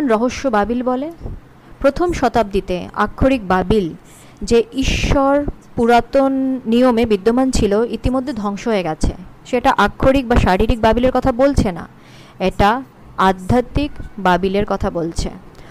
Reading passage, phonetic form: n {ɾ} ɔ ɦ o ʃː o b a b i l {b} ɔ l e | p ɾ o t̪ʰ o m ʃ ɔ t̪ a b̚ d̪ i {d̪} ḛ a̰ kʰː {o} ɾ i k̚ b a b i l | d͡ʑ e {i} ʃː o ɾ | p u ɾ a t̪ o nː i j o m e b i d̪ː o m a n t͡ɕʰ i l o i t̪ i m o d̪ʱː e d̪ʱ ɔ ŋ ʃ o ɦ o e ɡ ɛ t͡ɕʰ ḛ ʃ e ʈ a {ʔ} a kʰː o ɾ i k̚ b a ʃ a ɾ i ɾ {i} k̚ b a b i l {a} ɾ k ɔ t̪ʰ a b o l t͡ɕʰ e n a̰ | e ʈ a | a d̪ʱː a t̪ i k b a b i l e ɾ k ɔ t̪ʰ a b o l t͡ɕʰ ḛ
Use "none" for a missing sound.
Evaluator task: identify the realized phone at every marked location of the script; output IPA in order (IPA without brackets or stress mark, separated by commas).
ɾ, b, t̪, o, i, ʔ, i, e